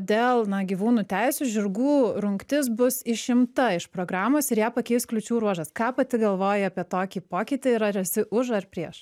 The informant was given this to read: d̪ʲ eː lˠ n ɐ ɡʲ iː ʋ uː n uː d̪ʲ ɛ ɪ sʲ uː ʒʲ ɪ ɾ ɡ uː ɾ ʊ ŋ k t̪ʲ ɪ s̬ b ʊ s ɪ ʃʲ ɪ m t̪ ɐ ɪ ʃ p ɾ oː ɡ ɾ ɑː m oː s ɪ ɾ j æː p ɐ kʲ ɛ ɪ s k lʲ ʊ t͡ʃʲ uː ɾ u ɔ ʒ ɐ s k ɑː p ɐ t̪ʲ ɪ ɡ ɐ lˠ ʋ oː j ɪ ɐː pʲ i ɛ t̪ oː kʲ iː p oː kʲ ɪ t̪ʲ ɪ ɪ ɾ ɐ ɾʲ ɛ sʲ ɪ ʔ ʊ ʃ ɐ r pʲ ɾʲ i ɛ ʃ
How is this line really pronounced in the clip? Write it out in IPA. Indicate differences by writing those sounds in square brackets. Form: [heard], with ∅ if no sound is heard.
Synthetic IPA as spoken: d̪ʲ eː lˠ n ɐ ɡʲ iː ʋ uː n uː [t̪ʲ] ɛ ɪ sʲ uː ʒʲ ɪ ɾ ɡ uː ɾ ʊ ŋ k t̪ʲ ɪ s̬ b ʊ s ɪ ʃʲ ɪ m t̪ ɐ ɪ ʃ p ɾ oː ɡ ɾ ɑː m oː s ɪ ɾ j æː p ɐ kʲ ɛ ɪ s k lʲ ʊ t͡ʃʲ uː ɾ u ɔ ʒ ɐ s k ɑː p ɐ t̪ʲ ɪ ɡ ɐ lˠ ʋ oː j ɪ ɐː pʲ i ɛ t̪ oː kʲ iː p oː kʲ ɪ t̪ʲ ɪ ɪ ɾ ɐ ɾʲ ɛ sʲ ɪ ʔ ʊ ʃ ɐ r pʲ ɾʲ i ɛ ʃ